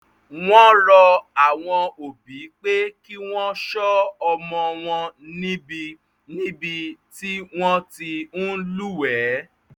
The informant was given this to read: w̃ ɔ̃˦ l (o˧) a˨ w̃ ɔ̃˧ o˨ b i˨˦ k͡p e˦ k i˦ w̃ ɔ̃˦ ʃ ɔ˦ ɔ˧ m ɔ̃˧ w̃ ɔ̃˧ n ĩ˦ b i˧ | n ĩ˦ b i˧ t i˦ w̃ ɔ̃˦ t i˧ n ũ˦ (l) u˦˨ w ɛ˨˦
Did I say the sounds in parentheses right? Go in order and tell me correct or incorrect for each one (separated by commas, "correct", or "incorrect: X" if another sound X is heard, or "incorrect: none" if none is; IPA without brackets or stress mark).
incorrect: ɔ˧, correct